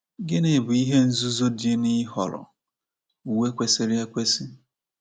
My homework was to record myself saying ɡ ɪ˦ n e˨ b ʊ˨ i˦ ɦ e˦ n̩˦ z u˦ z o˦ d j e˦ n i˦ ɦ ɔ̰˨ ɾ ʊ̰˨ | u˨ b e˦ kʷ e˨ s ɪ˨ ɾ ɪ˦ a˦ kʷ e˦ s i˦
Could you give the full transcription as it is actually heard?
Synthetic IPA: ɡ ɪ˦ n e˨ b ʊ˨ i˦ ɦ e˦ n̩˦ z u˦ z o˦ d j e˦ n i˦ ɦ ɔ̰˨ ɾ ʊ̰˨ | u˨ w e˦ kʷ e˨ s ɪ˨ ɾ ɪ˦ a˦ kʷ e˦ s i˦